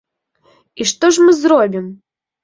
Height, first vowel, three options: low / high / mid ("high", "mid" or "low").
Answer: high